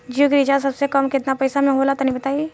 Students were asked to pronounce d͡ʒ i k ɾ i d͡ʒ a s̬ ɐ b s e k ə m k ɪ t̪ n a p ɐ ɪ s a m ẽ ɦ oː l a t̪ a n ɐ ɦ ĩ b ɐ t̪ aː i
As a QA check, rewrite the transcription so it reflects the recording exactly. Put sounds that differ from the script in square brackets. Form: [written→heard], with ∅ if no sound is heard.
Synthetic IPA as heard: d͡ʒ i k ɾ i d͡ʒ a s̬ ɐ b s e k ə m k ɪ t̪ n a p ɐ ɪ s a m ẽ ɦ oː l a t̪ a n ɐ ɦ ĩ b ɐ t̪ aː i